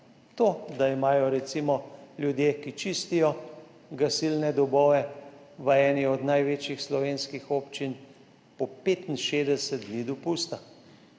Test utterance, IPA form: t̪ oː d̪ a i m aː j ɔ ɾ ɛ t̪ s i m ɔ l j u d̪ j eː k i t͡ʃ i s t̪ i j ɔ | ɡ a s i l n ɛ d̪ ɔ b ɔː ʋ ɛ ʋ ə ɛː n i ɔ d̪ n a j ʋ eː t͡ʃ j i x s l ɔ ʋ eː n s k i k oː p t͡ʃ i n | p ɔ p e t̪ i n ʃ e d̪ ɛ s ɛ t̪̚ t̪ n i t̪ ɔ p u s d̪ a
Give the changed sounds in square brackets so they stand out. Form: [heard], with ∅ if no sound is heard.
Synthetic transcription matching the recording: t̪ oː d̪ a i m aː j ɔ ɾ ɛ t̪ s i m ɔ l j u d̪ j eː k i t͡ʃ i s t̪ i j ɔ | ɡ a s i l n ɛ d̪ ɔ b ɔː ʋ ɛ ʋ ə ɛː n i ɔ d̪ n a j ʋ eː t͡ʃ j i x s l ɔ ʋ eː n s k i [x] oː p t͡ʃ i n | p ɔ p e t̪ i n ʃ e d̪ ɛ s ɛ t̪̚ [d̪] n i [d̪] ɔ p u s [t̪] a